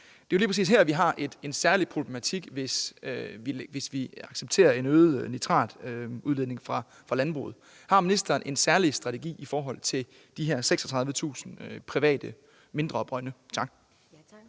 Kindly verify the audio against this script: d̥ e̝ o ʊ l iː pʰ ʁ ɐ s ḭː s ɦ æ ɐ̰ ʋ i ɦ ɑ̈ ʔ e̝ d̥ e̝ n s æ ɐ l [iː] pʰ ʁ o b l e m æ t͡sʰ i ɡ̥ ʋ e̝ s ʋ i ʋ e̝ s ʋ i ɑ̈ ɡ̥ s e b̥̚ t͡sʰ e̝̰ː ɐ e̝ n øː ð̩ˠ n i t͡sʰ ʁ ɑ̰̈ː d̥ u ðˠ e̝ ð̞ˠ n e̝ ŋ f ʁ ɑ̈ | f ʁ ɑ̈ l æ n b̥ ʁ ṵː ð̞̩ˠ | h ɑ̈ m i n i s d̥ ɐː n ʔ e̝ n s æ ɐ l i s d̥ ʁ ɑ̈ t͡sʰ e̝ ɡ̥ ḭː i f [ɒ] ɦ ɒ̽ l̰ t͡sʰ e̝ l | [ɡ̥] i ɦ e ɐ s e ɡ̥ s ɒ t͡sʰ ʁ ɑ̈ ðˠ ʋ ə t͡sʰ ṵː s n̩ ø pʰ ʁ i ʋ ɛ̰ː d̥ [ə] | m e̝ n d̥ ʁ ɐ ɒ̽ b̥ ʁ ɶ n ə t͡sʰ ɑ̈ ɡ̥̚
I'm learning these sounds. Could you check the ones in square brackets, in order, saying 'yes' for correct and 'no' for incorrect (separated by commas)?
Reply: no, no, no, yes